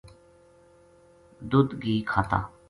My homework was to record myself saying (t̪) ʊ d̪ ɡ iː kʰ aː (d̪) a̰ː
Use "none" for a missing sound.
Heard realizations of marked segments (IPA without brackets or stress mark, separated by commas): d̪, t̪